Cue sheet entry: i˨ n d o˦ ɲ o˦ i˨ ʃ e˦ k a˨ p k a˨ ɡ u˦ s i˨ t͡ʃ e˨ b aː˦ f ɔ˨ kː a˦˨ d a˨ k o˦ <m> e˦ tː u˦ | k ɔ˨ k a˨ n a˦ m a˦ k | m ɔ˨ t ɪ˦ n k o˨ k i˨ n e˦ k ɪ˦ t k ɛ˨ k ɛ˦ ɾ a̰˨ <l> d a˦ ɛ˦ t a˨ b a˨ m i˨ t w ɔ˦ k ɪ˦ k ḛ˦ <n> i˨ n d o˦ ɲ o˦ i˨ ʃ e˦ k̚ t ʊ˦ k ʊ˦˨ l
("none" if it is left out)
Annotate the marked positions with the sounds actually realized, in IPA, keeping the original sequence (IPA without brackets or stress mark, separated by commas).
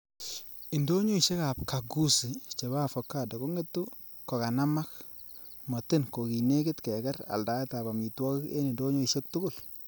ŋ, l, n